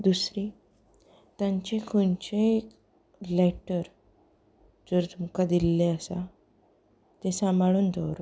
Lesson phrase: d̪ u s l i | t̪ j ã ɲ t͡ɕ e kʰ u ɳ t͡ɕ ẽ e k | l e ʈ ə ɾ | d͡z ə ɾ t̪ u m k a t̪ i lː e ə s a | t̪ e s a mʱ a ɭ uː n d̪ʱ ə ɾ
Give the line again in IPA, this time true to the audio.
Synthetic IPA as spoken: d̪ u s ɾ i | t̪ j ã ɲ t͡ɕ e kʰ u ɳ t͡ɕ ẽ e k | l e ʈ ə ɾ | d͡z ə ɾ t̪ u m k a d̪ i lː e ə s a | t̪ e s a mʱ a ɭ uː n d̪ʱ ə ɾ